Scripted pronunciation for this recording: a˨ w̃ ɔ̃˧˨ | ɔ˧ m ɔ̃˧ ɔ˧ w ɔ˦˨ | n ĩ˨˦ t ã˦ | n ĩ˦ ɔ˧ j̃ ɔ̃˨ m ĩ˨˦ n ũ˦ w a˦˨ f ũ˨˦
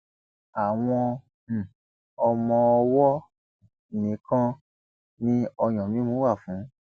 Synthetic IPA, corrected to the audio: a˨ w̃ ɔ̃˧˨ | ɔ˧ m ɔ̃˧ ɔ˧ w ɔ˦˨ | n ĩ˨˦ k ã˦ | n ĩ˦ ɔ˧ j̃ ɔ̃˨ m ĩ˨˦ m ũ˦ w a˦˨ f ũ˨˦